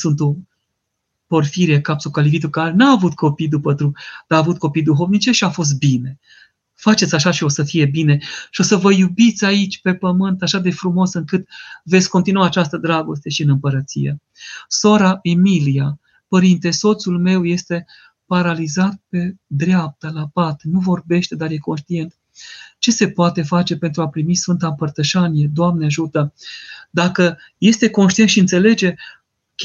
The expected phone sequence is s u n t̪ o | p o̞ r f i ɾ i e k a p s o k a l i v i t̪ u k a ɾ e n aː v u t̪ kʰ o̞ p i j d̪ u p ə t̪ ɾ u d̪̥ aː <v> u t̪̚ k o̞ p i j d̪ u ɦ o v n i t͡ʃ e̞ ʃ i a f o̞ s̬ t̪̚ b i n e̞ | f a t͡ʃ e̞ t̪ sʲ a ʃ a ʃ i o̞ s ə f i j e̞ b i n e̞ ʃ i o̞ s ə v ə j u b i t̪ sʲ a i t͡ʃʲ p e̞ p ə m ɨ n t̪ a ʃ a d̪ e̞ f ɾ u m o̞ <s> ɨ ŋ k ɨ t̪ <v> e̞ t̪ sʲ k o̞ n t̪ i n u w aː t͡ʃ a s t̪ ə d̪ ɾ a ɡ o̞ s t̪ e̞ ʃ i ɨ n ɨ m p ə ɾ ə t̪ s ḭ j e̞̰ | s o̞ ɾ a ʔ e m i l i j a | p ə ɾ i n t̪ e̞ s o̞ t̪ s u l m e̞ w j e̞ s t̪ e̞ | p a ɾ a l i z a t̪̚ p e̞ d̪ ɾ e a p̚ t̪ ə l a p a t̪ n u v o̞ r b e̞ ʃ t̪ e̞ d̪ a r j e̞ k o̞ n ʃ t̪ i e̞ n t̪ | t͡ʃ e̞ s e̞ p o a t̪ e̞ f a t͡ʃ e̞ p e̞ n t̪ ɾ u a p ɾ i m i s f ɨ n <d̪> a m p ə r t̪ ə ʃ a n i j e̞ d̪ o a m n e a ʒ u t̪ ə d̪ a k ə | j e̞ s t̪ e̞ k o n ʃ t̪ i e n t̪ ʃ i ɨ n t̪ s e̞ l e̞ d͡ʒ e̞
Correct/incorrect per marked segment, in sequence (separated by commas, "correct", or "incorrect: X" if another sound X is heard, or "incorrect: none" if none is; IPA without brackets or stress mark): correct, correct, correct, incorrect: t̪